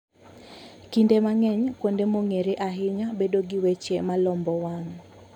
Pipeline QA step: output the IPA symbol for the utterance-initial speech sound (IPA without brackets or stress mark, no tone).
k